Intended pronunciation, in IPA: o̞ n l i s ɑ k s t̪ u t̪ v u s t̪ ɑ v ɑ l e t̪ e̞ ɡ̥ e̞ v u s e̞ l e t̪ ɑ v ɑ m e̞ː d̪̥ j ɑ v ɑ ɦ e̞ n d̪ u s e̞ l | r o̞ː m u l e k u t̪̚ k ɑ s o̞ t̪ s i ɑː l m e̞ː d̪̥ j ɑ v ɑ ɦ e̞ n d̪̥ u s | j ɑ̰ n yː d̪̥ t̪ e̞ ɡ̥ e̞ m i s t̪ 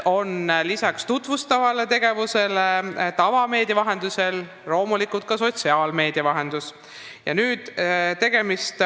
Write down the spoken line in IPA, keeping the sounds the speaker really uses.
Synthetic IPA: o̞ n l i s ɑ k s t̪ u t̪ v u s t̪ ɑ v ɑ l e t̪ e̞ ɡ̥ e̞ v u s e̞ l e t̪ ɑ v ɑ m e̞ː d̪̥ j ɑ v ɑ ɦ e̞ n d̪ u s e̞ l | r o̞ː m u l i k u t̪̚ k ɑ s o̞ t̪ s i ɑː l m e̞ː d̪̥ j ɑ v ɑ ɦ e̞ n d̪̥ u s | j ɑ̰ n yː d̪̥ t̪ e̞ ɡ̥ e̞ m i s t̪

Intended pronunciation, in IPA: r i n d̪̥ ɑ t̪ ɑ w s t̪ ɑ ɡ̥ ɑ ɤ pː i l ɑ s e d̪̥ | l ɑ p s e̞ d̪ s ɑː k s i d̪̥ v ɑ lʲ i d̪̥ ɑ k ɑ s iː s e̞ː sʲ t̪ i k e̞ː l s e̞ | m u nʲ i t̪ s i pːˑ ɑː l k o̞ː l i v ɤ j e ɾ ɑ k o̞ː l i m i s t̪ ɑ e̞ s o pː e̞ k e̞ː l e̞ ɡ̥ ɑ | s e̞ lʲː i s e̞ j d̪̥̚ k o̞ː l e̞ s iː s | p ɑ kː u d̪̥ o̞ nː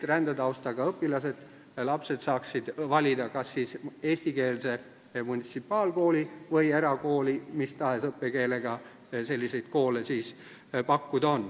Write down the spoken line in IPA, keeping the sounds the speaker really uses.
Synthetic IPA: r æ n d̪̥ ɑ t̪ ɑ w s t̪ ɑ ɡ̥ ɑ ɤ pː i l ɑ s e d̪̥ | l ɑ p s e̞ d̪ s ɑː k s i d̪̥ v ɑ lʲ i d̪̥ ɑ k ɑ sː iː s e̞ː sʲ t̪ i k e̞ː l s e̞ | m u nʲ i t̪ s i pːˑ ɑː l k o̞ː l i v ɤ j e ɾ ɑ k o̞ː l i m i s t̪ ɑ e̞ s ɤ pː e̞ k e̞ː l e̞ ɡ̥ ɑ | s e̞ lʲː i s e̞ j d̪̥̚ k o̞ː l e̞ s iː s | p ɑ kː u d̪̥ o̞ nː

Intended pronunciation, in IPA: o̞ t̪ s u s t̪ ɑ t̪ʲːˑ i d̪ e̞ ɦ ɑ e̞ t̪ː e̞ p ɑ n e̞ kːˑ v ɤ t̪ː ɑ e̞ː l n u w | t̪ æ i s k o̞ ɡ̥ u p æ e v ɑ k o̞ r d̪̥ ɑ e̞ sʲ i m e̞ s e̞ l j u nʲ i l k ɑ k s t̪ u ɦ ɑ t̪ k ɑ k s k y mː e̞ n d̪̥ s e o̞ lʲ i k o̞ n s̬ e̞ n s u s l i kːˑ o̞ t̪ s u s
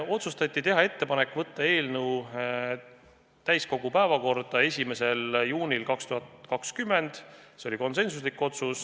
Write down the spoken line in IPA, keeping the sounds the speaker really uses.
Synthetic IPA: o̞ t̪ s u s t̪ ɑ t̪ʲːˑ i t̪ e̞ ɦ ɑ e̞ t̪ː e̞ p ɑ n e̞ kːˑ v ɤ t̪ː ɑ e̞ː l n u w | t̪ æ j s k o̞ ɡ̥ u p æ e v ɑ k o̞ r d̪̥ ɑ e̞ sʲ i m e̞ s e̞ l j uː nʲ i l k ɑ k s t̪ u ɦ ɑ t̪ k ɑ k s k y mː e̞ n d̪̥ s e o̞ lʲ i k o̞ n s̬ e̞ n s u s l i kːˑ o̞ t̪ s u s

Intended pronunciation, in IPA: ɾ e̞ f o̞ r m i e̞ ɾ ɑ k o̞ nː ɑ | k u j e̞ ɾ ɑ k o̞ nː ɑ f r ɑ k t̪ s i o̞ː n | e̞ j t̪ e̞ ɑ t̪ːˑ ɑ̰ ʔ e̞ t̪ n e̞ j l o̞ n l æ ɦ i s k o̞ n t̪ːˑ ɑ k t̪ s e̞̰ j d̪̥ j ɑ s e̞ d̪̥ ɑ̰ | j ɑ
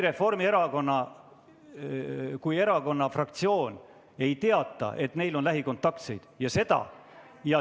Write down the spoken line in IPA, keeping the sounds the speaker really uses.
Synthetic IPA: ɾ e̞ f o̞ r m i e̞ ɾ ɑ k o̞ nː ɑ | k u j e̞ ɾ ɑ k o̞ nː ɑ f r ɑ k t̪ s i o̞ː n | e̞ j t̪ e̞ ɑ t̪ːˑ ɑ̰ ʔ e̞ t̪ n e̞ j l o̞ n l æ ɦ i k o̞ n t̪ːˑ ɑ k t̪ s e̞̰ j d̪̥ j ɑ s e̞ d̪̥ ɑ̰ | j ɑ

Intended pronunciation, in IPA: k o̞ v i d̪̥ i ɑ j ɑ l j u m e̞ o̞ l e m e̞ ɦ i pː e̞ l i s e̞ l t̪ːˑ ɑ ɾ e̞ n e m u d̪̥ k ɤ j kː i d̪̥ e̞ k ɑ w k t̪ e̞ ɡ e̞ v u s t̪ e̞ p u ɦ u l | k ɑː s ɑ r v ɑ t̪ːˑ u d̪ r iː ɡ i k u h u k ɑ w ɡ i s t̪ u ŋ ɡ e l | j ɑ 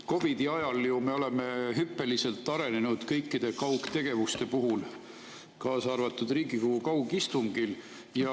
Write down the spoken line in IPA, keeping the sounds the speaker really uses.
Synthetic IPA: k o̞ v i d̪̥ i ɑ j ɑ l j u m e̞ o̞ l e m e̞ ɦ y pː e̞ l i s e̞ l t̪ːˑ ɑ ɾ e̞ n e n u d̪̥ k ɤ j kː i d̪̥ e̞ k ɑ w k t̪ e̞ ɡ e̞ v u s t̪ e̞ p u ɦ u l | k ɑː s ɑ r v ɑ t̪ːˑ u d̪ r iː ɡ i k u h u k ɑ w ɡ i s t̪ u ŋ ɡ i l | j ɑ

